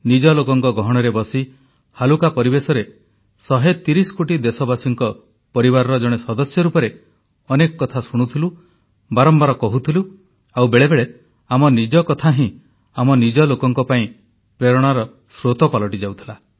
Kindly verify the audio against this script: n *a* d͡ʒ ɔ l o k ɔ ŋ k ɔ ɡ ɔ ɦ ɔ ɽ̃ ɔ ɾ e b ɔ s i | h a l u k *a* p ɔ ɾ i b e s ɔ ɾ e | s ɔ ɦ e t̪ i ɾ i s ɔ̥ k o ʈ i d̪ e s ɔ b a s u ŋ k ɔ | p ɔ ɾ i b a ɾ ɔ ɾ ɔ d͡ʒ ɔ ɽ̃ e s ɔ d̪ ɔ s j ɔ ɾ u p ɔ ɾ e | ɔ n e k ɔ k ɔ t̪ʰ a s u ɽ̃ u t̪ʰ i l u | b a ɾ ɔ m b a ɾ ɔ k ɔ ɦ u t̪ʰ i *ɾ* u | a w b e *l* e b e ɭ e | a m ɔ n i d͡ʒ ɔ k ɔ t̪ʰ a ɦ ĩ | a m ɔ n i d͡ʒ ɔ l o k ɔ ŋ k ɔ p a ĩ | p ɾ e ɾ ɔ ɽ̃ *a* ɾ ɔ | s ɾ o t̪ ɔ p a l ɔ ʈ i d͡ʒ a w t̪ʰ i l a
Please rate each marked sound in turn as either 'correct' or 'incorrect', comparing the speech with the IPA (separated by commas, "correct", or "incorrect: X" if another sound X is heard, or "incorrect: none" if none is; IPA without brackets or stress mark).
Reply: incorrect: i, correct, incorrect: l, incorrect: ɭ, correct